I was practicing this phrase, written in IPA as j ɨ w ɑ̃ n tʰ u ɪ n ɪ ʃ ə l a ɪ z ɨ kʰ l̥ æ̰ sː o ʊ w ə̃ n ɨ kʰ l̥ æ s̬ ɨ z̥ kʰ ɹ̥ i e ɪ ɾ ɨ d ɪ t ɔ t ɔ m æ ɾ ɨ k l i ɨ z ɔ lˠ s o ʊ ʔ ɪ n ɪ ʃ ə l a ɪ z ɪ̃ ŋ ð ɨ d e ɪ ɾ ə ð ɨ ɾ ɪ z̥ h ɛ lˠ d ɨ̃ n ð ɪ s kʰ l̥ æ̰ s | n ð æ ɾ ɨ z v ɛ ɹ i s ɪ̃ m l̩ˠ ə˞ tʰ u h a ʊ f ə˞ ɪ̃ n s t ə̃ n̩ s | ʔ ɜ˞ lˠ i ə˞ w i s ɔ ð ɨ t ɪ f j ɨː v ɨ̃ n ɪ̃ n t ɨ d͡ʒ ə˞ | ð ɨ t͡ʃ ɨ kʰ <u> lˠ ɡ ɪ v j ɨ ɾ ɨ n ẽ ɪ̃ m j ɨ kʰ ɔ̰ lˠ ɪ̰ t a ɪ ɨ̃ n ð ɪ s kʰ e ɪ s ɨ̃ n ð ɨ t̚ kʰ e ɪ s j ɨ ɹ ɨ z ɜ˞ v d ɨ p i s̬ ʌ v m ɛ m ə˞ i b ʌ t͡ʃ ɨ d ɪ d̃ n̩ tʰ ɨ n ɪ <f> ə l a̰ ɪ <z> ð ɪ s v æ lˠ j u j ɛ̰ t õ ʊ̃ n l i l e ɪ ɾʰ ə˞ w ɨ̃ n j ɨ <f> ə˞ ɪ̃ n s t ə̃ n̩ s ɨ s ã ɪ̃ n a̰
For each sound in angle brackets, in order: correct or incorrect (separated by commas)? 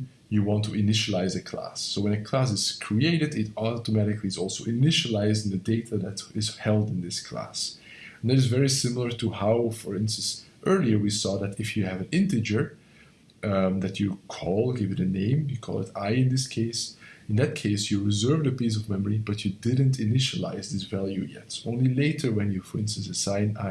incorrect, incorrect, correct, correct